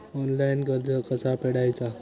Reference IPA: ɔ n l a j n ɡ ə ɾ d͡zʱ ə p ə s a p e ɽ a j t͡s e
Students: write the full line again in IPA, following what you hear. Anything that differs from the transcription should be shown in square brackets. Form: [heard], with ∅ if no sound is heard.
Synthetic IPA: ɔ n l a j n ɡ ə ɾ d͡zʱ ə [k] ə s a p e ɽ a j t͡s [a]